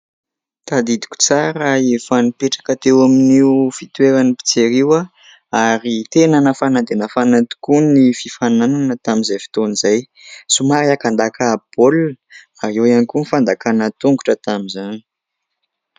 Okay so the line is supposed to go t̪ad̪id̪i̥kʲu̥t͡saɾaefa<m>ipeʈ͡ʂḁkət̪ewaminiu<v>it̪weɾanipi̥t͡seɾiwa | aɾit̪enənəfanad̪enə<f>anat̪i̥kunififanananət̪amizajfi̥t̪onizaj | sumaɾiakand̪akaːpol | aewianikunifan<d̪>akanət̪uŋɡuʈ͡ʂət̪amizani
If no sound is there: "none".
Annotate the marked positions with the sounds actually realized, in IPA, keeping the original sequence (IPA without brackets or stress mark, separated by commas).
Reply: n, f, f, d̪